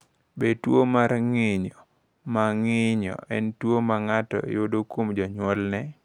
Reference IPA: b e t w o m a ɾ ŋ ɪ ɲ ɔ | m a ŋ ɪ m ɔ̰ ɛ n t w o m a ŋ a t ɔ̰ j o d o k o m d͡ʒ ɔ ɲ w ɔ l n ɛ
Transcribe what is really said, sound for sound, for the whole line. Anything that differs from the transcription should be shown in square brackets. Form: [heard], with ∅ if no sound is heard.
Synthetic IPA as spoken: b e t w o m a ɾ ŋ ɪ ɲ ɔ | m a ŋ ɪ [ɲ] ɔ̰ ɛ n t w o m a ŋ a t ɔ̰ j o d o k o m d͡ʒ ɔ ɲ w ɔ l n ɛ

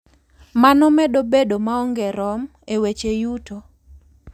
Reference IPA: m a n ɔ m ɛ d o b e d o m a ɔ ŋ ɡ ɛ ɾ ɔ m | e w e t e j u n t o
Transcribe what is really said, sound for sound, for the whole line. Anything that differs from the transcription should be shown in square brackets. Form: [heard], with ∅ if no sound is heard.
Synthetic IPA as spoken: m a n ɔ m ɛ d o b e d o m a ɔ ŋ ɡ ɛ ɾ ɔ m | e w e [t͡ʃ] e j u [∅] t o

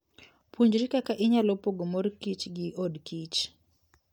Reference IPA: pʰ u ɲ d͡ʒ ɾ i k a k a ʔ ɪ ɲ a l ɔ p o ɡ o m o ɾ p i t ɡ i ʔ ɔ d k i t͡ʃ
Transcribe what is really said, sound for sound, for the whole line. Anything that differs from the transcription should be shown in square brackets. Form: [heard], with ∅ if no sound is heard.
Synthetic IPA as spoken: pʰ u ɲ d͡ʒ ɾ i k a k a ʔ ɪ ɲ a l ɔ p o ɡ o m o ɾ [k] i [t͡ʃ] ɡ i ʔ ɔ d k i t͡ʃ

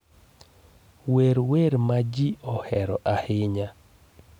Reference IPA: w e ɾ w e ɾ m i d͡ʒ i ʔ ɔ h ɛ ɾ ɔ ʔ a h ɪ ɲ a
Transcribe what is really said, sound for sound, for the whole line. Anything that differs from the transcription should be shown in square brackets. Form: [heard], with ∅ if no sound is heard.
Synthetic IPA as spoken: w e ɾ w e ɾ m [a] d͡ʒ i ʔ ɔ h ɛ ɾ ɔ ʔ a h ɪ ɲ a

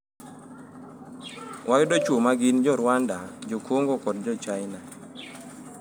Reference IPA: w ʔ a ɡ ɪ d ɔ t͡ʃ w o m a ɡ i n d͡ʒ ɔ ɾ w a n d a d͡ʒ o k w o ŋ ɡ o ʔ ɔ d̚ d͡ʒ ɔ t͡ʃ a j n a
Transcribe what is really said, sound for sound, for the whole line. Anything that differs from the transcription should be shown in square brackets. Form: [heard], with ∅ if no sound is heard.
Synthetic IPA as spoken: w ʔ a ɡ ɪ d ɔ t͡ʃ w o m a ɡ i n d͡ʒ ɔ ɾ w a n d a d͡ʒ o k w o ŋ ɡ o [k] ɔ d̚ d͡ʒ ɔ t͡ʃ a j n a

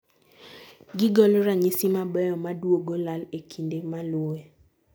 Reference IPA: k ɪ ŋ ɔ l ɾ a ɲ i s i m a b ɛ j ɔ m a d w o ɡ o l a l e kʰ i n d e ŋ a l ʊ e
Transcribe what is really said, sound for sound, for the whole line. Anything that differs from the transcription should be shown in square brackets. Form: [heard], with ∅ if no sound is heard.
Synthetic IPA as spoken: [ɡ] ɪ [ɡ] ɔ l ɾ a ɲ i s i m a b ɛ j ɔ m a d w o ɡ o l a l e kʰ i n d e [m] a l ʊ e

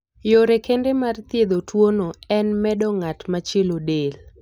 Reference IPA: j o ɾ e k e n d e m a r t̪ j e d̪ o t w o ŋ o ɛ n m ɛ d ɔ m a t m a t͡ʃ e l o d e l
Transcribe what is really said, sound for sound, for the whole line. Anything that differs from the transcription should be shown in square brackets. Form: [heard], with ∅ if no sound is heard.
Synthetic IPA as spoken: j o ɾ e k e n d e m a r t̪ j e d̪ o t w o [n] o ɛ n m ɛ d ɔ [ŋ] a t m a t͡ʃ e l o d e l

